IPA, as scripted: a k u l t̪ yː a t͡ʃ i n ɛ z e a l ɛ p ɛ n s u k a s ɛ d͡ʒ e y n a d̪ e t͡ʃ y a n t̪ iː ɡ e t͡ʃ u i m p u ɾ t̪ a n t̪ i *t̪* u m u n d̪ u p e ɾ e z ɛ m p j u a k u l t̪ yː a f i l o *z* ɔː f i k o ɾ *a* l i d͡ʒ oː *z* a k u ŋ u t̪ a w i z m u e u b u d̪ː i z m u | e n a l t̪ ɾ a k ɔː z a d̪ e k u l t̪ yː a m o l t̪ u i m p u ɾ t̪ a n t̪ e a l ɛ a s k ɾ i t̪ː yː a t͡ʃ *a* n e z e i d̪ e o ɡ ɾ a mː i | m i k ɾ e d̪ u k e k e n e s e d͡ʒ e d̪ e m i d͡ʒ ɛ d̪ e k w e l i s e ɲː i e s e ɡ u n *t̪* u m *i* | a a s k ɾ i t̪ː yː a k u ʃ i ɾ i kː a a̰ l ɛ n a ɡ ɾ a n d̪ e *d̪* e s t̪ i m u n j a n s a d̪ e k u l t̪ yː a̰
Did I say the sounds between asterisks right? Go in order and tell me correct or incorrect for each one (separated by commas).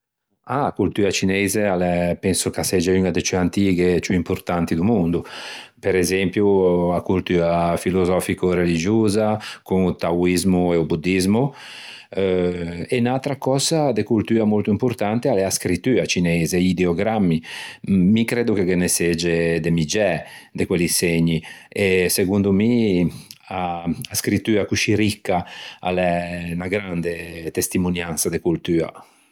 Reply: incorrect, correct, incorrect, correct, incorrect, incorrect, correct, incorrect